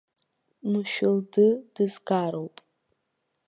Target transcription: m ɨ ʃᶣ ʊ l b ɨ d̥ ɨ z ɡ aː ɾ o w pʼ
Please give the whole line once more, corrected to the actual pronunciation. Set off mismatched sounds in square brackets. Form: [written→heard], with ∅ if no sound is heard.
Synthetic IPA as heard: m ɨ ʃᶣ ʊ l [b→d] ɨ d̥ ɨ z ɡ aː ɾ o w pʼ